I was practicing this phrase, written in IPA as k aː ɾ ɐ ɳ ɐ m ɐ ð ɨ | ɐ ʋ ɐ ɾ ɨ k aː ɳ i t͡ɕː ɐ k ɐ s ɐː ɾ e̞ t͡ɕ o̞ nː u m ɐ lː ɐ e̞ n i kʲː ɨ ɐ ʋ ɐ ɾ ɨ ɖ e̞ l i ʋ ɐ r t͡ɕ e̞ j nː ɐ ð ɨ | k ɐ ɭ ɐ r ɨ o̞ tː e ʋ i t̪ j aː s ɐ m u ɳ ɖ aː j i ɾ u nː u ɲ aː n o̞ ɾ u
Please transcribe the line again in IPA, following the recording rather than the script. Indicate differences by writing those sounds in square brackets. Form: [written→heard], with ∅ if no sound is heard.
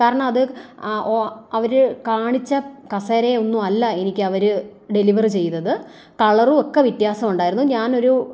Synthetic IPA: k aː ɾ ɐ ɳ ɐ m ɐ ð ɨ | ɐ ʋ ɐ ɾ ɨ k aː ɳ i t͡ɕː ɐ k ɐ s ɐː ɾ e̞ [t͡ɕ→∅] o̞ nː u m ɐ lː ɐ e̞ n i kʲː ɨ ɐ ʋ ɐ ɾ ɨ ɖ e̞ l i ʋ ɐ r t͡ɕ e̞ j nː ɐ ð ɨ | k ɐ ɭ ɐ r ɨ o̞ [tː→kː] e ʋ i t̪ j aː s ɐ m u ɳ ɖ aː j i ɾ u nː u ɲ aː n o̞ ɾ u